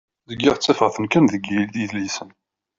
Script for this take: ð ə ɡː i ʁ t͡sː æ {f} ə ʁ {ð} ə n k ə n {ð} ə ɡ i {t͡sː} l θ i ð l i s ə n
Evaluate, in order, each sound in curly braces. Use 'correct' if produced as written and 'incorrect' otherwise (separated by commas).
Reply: correct, incorrect, correct, incorrect